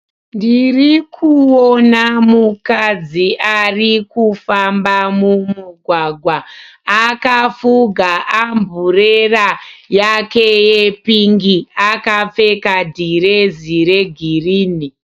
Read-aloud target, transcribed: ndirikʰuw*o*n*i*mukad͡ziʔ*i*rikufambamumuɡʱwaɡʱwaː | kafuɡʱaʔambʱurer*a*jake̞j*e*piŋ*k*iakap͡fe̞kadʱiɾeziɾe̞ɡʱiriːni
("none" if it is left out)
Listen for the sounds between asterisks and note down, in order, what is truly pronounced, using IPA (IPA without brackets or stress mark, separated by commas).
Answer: o, a, a, a, e, ɡ